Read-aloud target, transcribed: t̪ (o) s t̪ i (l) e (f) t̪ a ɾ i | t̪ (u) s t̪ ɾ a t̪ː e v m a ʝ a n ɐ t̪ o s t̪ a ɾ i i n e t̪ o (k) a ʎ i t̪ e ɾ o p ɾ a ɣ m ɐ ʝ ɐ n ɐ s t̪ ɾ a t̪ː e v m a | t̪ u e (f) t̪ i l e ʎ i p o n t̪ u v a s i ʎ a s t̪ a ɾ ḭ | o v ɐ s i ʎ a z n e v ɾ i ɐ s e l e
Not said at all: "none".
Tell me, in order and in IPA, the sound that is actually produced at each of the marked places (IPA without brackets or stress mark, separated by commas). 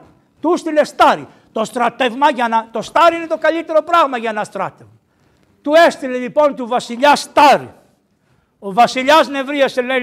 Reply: u, l, s, o, k, s